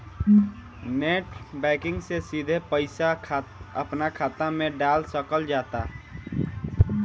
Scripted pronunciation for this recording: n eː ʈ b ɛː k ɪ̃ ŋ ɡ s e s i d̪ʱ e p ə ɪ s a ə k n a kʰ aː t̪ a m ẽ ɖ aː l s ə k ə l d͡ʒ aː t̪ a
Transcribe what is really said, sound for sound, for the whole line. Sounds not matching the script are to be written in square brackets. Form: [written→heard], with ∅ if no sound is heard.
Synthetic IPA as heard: n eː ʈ b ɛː k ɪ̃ ŋ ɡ s e s i d̪ʱ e p ə ɪ s a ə [k→p] n a kʰ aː t̪ a m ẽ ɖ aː l s ə k ə l d͡ʒ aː t̪ a